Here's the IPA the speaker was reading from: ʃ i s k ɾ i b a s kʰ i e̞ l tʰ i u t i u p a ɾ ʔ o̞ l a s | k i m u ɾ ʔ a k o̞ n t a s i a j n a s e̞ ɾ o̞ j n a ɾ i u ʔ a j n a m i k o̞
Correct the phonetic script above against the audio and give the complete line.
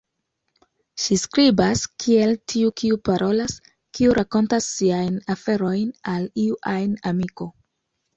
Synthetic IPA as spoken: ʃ i s k ɾ i b a s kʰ i e̞ l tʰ i u k i u p a ɾ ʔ o̞ l a s | k i u ɾ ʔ a k o̞ n t a sː i a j n a f e̞ ɾ o̞ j n a l i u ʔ a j n a m i k o̞